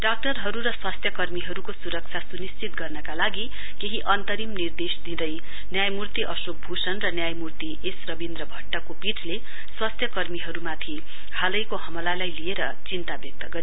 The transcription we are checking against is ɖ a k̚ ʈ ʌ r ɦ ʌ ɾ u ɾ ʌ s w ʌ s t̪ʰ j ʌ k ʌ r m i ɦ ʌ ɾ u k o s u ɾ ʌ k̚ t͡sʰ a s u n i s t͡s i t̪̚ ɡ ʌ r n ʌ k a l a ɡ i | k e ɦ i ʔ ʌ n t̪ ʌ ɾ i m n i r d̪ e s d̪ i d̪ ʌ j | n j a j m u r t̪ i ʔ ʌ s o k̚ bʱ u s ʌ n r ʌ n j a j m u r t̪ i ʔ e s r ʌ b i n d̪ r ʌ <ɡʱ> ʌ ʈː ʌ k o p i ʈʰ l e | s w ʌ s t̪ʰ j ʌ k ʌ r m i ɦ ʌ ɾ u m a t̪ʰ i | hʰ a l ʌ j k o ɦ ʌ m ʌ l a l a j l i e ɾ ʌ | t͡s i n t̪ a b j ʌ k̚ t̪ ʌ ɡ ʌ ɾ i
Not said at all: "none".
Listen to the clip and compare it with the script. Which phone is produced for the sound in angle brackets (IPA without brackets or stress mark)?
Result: bʱ